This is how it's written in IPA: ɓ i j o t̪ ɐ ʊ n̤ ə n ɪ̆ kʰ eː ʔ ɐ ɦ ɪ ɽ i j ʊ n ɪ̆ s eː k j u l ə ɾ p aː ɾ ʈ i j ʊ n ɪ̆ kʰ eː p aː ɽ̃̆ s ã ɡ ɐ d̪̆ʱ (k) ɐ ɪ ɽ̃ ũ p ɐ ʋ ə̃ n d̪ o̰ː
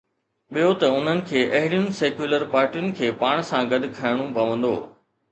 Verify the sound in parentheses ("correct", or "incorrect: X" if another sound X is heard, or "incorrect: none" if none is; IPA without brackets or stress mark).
incorrect: kʰ